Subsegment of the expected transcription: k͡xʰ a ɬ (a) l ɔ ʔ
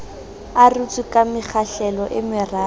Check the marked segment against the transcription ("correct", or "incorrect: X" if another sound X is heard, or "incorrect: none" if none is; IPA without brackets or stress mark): incorrect: ɛ